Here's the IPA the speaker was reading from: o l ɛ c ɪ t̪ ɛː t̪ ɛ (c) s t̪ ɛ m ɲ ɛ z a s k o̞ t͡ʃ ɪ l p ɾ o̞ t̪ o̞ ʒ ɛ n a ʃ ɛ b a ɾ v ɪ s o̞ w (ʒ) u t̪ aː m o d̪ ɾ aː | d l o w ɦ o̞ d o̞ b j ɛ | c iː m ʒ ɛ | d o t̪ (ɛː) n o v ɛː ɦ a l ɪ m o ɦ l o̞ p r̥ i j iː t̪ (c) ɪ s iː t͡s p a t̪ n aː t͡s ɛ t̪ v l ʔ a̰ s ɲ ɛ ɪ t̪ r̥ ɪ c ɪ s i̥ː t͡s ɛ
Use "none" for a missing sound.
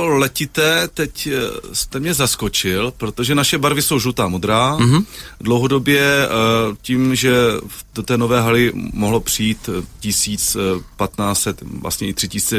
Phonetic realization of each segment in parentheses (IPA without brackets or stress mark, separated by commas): c, ʒ, ɛː, c